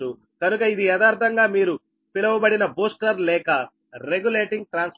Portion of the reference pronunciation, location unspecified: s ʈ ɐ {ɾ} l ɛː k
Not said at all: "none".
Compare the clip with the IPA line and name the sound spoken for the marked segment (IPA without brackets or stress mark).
ɾ